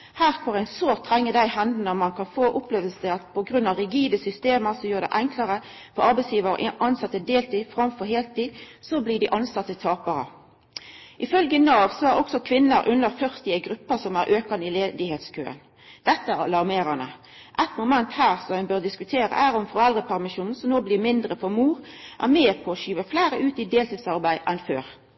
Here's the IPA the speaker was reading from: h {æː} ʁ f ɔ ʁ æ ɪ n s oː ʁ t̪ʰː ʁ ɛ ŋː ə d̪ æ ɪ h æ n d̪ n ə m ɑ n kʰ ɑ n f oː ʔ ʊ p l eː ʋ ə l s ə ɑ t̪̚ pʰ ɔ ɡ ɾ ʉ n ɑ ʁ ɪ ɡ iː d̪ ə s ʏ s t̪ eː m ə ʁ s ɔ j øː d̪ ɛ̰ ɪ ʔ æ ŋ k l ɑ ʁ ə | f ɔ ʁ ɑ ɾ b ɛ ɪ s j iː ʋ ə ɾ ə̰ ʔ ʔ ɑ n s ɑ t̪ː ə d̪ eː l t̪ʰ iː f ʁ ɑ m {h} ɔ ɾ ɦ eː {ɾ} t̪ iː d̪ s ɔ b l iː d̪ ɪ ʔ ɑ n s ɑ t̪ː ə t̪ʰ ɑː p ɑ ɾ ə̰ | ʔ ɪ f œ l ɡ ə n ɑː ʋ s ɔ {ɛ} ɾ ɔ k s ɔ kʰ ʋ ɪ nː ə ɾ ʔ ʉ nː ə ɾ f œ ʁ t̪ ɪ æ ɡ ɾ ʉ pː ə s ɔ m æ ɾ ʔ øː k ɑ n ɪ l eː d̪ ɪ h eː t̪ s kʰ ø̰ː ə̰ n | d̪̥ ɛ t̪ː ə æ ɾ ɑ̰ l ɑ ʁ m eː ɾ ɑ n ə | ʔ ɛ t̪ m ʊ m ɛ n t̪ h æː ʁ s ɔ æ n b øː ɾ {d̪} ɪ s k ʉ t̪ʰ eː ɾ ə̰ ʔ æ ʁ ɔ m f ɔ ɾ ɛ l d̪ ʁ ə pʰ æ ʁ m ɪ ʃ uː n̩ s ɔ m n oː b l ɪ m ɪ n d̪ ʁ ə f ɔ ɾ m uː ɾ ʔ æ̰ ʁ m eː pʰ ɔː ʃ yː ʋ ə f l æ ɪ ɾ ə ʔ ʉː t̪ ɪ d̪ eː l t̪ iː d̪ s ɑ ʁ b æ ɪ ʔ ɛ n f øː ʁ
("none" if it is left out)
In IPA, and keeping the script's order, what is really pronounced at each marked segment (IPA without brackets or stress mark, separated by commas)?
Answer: æː, f, l, æ, d̪